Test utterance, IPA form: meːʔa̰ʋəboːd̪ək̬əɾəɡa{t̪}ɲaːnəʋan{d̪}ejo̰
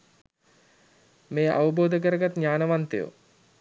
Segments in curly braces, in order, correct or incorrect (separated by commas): correct, incorrect